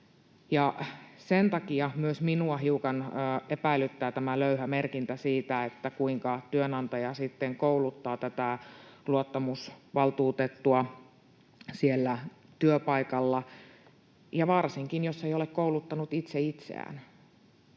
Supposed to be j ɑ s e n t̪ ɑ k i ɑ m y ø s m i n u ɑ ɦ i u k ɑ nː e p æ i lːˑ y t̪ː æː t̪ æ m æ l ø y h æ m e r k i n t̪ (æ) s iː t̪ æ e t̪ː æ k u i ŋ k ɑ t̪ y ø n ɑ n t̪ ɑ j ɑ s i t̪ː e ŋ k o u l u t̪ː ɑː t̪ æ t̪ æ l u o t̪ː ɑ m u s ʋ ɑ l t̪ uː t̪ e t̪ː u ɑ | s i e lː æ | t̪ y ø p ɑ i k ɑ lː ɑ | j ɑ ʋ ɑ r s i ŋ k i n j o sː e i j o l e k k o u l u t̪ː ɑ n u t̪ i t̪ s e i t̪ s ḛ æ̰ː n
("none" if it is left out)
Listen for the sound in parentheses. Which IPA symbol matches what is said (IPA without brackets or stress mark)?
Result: æ